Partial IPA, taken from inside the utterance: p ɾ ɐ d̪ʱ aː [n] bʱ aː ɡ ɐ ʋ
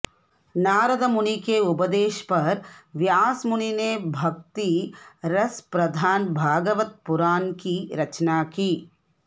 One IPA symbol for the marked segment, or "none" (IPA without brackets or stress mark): n